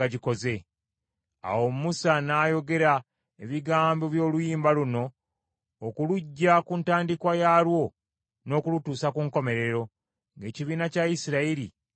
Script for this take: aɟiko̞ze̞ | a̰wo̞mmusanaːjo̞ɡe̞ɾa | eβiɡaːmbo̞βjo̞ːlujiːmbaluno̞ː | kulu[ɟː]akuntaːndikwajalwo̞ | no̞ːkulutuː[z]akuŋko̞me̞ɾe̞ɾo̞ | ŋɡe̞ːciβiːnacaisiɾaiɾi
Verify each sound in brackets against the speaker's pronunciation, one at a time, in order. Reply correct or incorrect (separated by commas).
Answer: correct, incorrect